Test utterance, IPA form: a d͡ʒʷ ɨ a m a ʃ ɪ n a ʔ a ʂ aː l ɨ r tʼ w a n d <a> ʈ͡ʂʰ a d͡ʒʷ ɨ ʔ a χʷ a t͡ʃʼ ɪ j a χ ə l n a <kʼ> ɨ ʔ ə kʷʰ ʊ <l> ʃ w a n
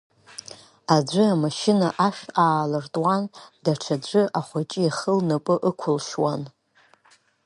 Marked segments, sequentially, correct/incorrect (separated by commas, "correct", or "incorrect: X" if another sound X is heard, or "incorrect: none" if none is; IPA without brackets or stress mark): correct, incorrect: pʼ, correct